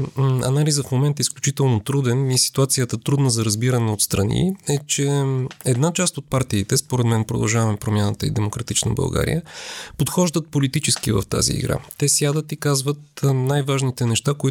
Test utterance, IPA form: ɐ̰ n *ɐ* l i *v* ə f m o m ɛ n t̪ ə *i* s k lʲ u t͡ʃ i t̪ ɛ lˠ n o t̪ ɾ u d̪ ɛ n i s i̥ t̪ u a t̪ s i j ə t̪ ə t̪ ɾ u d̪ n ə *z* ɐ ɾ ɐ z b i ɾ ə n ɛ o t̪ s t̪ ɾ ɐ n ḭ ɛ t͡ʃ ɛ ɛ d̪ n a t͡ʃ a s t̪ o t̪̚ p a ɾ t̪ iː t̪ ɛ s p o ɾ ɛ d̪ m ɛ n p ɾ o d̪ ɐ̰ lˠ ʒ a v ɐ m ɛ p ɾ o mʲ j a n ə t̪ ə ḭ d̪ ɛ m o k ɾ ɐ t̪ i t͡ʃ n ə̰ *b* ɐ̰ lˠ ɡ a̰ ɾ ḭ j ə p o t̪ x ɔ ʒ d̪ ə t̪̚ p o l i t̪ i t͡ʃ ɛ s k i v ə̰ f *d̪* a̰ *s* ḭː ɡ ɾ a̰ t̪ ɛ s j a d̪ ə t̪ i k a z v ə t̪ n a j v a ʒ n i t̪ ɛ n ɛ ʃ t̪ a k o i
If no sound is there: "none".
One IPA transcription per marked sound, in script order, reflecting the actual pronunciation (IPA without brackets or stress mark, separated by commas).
a, z, i, z, b, t̪, z